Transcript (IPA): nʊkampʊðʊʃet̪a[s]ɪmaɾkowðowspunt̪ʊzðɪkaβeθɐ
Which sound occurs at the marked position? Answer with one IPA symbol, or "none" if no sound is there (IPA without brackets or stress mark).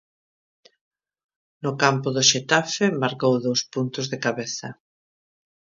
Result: f